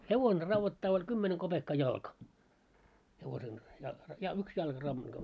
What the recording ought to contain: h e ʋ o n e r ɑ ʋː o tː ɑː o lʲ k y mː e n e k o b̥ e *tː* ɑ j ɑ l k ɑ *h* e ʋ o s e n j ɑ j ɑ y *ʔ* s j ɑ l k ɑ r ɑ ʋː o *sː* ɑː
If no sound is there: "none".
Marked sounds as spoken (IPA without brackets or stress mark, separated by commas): kː, h, k, tː